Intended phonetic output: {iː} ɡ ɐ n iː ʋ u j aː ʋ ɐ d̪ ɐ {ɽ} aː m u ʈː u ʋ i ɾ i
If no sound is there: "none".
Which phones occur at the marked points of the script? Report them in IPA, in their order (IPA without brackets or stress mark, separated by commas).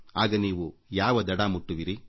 aː, ɽ